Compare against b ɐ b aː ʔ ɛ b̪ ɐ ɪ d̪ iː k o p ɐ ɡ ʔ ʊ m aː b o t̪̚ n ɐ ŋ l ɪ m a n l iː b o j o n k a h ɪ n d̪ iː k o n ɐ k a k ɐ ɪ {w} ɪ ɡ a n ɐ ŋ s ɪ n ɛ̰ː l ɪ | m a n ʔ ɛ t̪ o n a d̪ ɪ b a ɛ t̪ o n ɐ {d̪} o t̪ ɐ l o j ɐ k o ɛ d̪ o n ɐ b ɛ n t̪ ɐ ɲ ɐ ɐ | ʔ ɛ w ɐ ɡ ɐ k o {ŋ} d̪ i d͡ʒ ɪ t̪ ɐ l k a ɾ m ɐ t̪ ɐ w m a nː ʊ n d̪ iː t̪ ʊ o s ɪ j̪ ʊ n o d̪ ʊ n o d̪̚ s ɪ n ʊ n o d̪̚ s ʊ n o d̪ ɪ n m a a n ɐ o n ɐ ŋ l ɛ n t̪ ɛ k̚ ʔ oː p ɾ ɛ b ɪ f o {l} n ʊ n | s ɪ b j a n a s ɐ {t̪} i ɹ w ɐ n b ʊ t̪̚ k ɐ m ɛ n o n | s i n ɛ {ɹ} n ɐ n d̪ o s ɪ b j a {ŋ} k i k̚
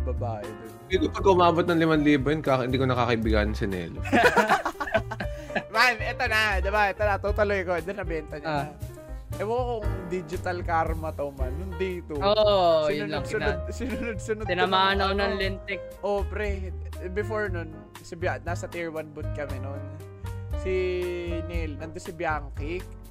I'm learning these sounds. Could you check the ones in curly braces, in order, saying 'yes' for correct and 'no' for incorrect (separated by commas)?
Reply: no, no, yes, no, yes, no, yes